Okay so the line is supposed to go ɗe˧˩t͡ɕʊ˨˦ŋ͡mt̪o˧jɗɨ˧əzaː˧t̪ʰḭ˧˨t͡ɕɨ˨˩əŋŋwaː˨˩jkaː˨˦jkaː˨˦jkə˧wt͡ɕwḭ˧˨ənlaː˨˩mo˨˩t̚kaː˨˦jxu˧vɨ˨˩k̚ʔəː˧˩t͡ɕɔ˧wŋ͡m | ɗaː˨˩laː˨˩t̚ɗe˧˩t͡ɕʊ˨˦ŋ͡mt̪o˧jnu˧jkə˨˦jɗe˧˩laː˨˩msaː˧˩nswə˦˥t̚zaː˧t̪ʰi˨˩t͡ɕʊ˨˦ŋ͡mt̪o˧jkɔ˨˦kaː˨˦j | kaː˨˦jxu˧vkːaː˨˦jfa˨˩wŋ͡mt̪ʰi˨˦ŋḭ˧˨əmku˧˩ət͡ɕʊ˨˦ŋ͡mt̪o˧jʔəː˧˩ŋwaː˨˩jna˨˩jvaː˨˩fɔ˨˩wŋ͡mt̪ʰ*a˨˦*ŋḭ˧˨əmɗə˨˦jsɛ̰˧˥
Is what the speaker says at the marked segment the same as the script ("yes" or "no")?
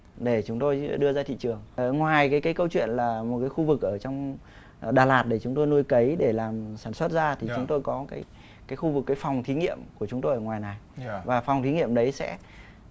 no